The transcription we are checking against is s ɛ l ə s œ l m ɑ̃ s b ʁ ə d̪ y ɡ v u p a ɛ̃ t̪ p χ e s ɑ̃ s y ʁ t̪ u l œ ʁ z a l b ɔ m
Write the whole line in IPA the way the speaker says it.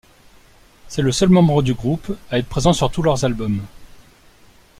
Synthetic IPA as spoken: s ɛ l ə s œ l m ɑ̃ b ʁ ə d̪ y ɡ ʁ u p a ɛ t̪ p χ e z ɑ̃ s y ʁ t̪ u l œ ʁ z a l b ɔ m